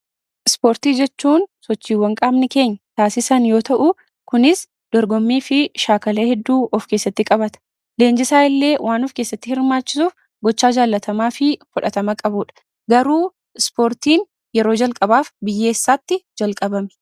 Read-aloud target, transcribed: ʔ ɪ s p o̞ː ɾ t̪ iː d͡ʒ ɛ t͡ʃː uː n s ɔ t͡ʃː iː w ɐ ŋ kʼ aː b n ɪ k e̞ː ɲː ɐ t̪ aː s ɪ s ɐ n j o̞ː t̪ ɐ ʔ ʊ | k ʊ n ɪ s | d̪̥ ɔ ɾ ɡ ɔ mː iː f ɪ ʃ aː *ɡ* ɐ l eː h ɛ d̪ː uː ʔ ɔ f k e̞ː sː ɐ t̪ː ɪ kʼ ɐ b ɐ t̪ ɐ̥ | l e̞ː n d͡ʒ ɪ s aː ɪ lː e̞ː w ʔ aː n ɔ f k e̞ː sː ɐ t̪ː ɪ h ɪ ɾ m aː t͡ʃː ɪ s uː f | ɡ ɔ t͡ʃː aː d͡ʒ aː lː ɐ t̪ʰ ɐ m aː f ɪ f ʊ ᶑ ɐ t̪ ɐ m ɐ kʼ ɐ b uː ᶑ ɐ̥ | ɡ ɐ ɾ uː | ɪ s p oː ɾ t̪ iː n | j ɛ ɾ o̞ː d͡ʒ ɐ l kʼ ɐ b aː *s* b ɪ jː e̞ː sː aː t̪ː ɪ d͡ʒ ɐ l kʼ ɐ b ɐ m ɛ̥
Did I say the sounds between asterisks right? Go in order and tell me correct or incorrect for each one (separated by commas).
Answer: incorrect, incorrect